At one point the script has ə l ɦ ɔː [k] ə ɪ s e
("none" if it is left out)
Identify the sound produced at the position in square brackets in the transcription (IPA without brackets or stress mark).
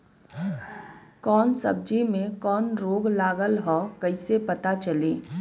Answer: k